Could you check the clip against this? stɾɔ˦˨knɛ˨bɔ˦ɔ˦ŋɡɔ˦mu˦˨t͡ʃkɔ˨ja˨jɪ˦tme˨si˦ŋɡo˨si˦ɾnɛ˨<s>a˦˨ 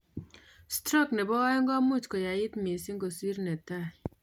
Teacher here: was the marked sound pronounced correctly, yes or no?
no